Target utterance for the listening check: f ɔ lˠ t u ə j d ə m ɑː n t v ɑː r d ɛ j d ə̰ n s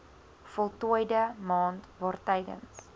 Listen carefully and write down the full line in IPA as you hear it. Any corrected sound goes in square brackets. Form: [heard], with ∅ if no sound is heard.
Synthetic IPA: f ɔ lˠ t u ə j d ə m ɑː n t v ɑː r [t] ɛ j d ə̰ n s